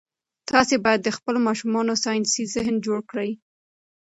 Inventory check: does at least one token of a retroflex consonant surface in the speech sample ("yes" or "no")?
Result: yes